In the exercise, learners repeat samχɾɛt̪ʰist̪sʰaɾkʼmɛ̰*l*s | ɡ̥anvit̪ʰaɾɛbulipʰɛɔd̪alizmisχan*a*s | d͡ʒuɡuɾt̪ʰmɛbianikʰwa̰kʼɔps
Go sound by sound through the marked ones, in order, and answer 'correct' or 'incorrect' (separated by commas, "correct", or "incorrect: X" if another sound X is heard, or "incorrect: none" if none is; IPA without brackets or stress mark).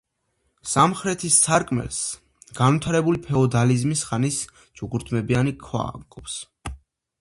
correct, incorrect: i